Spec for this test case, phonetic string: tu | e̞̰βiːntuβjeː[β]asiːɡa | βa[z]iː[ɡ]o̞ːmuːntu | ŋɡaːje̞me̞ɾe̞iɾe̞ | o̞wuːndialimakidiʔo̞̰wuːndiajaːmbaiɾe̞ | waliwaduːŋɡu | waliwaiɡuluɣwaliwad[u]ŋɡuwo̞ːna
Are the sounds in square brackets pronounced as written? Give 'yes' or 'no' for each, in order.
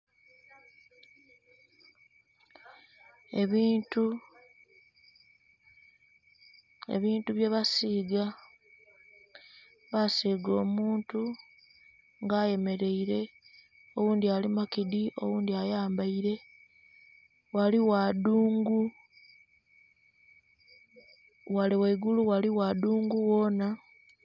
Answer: yes, no, yes, no

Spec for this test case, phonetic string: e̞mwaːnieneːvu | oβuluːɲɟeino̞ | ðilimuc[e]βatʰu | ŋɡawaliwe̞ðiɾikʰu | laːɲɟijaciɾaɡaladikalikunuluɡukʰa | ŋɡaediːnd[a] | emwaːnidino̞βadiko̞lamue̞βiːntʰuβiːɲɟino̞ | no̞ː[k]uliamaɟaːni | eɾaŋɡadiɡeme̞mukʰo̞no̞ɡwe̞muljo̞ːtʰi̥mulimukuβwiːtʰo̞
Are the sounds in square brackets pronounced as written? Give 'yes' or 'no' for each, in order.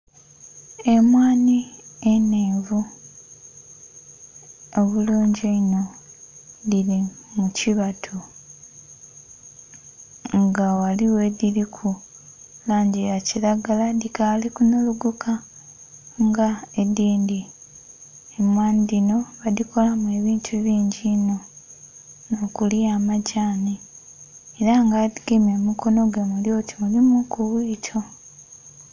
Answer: no, no, yes

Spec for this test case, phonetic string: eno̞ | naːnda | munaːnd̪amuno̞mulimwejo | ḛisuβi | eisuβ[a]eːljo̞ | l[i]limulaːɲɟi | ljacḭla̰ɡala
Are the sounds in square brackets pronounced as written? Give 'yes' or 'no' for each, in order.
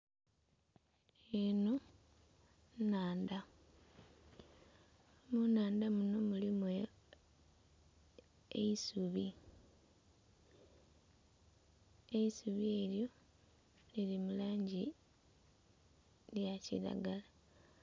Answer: no, yes

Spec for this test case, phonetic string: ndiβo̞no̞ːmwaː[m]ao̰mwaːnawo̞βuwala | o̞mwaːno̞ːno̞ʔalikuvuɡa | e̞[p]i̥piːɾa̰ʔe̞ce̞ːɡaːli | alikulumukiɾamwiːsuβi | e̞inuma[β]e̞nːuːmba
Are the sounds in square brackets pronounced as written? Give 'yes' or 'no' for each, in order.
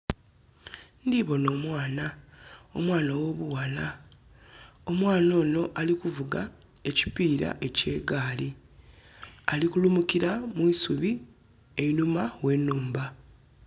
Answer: no, no, no

